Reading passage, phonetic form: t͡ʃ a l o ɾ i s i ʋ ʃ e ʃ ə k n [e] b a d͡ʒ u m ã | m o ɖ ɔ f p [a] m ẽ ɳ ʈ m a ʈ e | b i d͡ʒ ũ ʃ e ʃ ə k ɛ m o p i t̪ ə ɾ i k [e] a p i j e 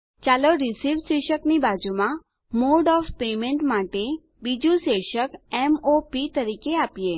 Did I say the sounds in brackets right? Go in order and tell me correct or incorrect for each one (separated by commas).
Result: incorrect, incorrect, correct